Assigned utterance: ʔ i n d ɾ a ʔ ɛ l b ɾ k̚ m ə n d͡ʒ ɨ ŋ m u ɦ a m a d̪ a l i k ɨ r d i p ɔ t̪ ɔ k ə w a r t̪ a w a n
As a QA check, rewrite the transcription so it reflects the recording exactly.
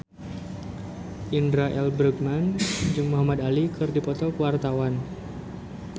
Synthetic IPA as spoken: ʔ i n d ɾ a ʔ ɛ l b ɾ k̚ m a n d͡ʒ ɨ ŋ m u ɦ a m a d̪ a l i k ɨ r d i p ɔ t̪ ɔ k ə w a r t̪ a w a n